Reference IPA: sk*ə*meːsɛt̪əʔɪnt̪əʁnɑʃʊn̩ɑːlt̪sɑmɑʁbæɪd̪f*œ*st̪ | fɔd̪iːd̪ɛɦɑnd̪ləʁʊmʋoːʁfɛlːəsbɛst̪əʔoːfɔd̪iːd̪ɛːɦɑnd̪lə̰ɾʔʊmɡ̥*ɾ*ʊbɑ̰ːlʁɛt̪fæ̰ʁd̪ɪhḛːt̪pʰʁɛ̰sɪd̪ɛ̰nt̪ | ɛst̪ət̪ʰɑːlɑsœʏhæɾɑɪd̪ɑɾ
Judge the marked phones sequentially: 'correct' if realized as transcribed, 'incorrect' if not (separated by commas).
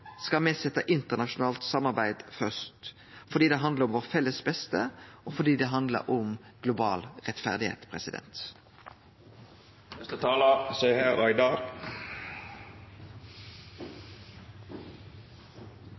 incorrect, correct, incorrect